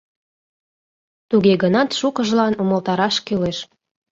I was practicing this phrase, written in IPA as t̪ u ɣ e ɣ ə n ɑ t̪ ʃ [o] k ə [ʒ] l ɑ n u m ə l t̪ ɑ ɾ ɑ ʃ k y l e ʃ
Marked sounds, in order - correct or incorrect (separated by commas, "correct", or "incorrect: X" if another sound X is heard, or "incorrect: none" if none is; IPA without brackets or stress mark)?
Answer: incorrect: u, correct